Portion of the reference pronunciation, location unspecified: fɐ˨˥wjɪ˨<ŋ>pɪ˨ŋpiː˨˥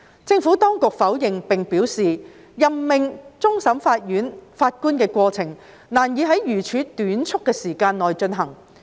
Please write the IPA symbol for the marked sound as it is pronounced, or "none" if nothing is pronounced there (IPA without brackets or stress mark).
ŋ